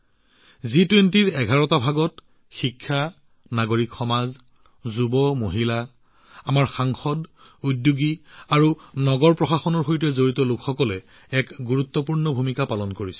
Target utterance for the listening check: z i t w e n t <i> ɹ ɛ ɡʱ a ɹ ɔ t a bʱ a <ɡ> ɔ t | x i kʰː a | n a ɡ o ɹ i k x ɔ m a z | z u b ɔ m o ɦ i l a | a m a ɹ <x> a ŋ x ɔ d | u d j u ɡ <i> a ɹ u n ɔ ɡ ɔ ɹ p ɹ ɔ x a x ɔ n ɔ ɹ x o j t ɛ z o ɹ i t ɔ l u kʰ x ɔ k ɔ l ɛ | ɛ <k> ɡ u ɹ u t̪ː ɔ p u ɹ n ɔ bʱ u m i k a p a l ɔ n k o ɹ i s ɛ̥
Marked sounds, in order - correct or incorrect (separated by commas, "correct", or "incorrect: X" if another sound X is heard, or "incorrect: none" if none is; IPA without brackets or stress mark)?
correct, correct, correct, correct, correct